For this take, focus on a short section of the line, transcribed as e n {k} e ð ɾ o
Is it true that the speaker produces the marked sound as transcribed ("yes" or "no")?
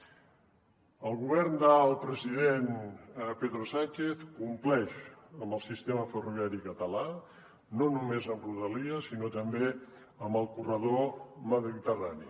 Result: no